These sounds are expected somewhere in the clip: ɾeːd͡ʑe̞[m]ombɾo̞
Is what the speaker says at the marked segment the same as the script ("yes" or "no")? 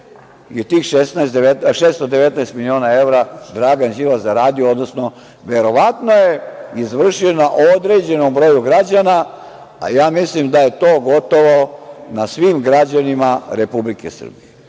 no